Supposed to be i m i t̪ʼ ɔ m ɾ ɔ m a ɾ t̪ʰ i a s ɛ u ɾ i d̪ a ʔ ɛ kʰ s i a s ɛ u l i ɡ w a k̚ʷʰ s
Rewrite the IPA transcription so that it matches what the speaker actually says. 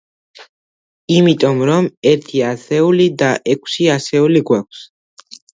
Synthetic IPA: i m i t̪ʼ ɔ m ɾ ɔ m ɛ ɾ t̪ʰ i a s ɛ u l i d̪ a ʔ ɛ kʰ s i a s ɛ u l i ɡ w a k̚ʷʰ s

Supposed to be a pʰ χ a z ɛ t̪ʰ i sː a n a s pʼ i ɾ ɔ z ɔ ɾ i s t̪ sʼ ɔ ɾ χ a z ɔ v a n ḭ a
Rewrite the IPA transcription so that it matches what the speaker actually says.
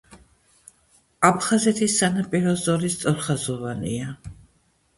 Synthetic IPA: a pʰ χ a z ɛ t̪ʰ i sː a n a pʼ i ɾ ɔ z ɔ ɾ i s t̪ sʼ ɔ ɾ χ a z ɔ v a n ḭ a

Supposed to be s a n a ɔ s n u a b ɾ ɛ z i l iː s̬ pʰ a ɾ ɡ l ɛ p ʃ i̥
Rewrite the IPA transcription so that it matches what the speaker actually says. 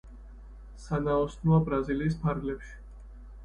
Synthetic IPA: s a n a ɔ s n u a b ɾ a z i l iː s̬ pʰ a ɾ ɡ l ɛ p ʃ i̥

